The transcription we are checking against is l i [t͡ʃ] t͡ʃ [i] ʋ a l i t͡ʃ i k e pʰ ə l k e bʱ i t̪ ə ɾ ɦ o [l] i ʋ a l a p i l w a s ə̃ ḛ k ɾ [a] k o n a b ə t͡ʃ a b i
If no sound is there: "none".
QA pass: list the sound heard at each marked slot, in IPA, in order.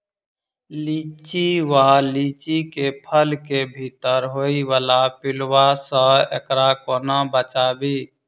t͡ʃ, i, none, a

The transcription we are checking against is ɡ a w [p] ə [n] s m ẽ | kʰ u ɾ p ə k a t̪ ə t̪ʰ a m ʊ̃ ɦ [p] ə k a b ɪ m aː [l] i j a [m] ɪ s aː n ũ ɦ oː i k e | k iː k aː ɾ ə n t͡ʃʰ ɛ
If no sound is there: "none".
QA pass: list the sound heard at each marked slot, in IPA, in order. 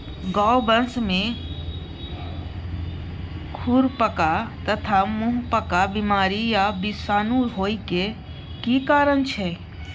b, n, p, ɾ, b

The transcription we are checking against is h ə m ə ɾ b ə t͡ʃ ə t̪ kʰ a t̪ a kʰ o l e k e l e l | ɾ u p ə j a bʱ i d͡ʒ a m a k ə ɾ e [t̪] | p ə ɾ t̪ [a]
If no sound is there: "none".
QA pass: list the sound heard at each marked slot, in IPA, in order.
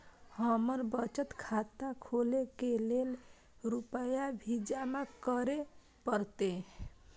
none, e

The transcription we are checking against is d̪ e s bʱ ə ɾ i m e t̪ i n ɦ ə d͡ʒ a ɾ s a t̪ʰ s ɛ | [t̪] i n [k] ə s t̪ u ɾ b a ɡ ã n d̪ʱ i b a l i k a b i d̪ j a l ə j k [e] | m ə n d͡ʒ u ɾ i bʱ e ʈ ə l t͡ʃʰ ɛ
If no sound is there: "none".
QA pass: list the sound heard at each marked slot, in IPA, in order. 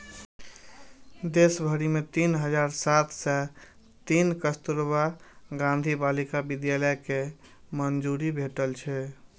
t̪, k, e

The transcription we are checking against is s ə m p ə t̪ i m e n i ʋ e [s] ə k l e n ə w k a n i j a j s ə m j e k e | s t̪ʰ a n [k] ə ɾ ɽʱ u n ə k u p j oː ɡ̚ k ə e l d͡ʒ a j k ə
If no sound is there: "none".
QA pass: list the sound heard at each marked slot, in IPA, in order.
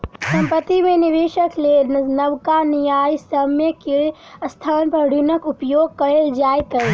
ʃ, p

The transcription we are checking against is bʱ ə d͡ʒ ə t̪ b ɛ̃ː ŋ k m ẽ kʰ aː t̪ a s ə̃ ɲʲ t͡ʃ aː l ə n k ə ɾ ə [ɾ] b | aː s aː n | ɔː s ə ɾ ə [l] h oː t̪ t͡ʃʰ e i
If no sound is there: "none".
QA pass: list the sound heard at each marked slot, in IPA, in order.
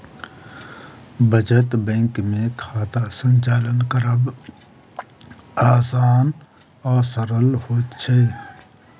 none, l

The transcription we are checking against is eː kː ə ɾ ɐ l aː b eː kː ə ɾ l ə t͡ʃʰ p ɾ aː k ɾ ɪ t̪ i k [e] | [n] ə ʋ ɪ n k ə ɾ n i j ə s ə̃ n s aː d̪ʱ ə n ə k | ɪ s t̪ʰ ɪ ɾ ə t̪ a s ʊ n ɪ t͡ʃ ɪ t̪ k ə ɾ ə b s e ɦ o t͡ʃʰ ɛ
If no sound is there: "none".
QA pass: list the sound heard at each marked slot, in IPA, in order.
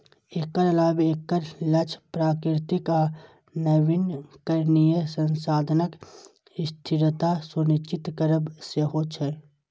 a, n

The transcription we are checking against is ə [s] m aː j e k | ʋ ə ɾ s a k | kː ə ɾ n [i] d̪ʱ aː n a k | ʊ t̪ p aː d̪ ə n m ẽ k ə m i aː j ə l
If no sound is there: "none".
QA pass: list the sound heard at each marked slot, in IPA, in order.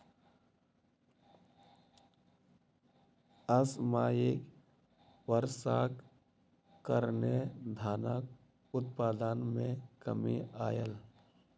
s, e

